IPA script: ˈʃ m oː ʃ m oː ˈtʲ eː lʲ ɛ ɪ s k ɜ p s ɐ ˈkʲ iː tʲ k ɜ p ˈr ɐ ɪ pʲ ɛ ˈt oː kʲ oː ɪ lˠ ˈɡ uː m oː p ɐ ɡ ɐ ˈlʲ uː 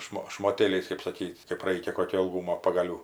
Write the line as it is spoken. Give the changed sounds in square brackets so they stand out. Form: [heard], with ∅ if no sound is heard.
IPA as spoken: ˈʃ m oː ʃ m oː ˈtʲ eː lʲ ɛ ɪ s k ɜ p s ɐ ˈkʲ iː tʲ k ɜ p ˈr ɐ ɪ [kʲ] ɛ [ˈk] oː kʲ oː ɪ lˠ ˈɡ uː m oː p ɐ ɡ ɐ ˈlʲ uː